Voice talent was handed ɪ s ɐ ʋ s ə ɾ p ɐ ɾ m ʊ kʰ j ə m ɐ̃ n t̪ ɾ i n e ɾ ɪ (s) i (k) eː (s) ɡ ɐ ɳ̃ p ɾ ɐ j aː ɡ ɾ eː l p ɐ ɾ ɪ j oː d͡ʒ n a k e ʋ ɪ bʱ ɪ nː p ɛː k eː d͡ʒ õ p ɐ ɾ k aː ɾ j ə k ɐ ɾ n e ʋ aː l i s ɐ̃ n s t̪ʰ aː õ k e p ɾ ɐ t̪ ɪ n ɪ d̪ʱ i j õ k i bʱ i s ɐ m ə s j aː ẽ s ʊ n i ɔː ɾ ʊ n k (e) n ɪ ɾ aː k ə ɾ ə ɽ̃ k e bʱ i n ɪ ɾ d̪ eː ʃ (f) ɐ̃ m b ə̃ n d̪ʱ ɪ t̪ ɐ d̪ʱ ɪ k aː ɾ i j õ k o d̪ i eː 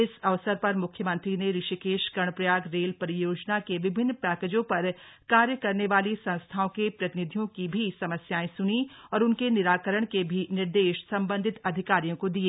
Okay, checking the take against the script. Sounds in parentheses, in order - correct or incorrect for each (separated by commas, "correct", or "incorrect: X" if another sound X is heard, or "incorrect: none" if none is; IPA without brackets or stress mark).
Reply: incorrect: ʃ, correct, incorrect: ʃ, correct, incorrect: s